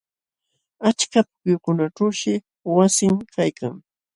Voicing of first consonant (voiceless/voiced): voiceless